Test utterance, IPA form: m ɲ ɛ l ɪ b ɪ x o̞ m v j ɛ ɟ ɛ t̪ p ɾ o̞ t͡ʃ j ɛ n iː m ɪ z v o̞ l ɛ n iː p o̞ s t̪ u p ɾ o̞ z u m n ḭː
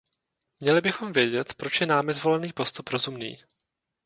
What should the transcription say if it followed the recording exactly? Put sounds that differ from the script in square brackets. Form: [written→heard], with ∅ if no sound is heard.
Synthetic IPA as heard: m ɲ ɛ l ɪ b ɪ x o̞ m v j ɛ ɟ ɛ t̪ p ɾ o̞ t͡ʃ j ɛ n [iː→aː] m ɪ z v o̞ l ɛ n iː p o̞ s t̪ u p ɾ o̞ z u m n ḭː